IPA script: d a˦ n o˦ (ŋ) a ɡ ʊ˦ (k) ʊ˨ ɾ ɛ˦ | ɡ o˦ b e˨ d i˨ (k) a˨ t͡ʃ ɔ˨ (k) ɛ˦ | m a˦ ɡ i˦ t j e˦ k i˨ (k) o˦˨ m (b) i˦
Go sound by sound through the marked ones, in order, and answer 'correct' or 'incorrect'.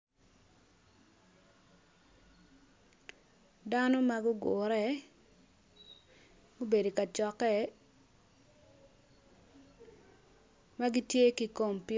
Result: incorrect, incorrect, correct, correct, correct, incorrect

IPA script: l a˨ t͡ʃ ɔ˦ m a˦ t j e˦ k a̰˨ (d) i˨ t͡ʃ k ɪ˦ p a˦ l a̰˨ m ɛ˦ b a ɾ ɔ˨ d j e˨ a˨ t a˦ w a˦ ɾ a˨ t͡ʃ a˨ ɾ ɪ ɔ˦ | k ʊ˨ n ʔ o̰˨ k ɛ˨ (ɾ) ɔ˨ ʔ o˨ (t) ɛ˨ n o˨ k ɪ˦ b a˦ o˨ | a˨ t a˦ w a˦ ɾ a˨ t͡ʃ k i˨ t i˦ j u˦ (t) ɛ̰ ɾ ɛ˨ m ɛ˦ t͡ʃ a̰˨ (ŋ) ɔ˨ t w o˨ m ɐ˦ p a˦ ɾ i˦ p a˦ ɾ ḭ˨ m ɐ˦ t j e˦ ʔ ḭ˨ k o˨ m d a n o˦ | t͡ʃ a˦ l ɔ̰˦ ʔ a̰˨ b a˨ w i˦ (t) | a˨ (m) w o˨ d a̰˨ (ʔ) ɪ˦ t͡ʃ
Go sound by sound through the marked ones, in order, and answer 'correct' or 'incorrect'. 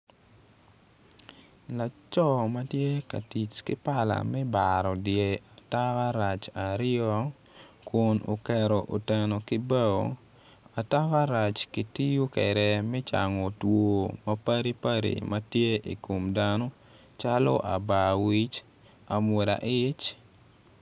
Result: incorrect, correct, correct, incorrect, correct, incorrect, correct, correct

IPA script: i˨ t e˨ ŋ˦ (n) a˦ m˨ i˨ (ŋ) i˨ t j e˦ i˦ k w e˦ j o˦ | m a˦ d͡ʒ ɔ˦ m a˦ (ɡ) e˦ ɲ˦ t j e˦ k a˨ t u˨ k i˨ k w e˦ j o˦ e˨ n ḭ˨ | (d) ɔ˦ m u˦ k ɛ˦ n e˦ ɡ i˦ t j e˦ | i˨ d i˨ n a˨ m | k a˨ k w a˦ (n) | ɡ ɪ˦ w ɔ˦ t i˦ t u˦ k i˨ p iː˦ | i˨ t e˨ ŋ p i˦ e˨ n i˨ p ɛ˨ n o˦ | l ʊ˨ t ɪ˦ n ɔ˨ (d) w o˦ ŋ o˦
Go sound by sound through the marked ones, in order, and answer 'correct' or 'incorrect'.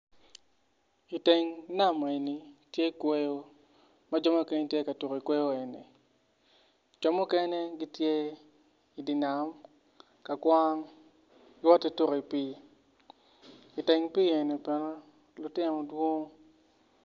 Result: correct, incorrect, incorrect, incorrect, incorrect, correct

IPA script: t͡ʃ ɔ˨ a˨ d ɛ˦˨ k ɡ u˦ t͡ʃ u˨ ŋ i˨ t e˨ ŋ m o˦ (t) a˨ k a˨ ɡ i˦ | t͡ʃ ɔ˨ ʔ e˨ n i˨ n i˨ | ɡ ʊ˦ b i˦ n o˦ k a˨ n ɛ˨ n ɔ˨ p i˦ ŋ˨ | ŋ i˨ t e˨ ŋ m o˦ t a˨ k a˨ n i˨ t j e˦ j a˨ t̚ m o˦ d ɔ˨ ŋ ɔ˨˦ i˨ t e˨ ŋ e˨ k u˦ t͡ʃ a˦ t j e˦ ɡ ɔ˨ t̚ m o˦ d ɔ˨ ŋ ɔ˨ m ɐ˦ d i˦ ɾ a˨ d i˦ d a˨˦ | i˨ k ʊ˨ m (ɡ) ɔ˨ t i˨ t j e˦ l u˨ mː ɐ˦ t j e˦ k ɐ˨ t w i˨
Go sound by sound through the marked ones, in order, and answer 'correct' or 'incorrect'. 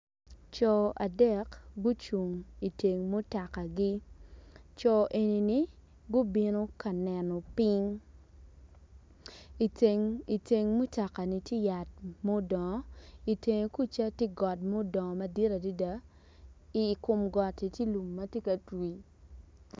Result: correct, correct

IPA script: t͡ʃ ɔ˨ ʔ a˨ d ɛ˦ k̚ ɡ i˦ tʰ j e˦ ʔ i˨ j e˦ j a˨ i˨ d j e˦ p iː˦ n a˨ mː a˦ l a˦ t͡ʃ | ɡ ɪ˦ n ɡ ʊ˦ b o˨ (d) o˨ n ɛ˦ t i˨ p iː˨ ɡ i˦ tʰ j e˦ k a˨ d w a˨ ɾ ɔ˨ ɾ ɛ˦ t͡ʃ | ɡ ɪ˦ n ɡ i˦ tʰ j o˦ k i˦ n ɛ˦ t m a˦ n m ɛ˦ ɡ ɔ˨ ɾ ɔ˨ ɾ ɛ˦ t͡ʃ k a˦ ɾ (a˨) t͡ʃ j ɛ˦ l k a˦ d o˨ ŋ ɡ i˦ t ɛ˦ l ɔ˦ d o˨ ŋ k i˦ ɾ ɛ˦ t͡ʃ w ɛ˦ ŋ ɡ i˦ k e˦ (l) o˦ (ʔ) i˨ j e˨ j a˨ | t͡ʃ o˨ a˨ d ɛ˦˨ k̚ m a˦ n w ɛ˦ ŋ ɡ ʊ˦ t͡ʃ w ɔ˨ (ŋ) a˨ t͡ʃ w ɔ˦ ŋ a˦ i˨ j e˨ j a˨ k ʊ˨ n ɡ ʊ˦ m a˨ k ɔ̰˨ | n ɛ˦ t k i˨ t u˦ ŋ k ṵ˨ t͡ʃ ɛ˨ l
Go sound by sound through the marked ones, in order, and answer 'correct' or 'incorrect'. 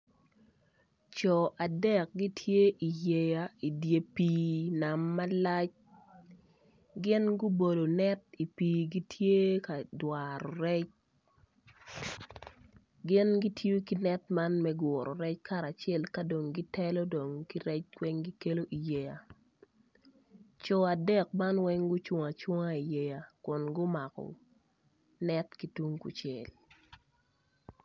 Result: correct, correct, correct, correct, correct

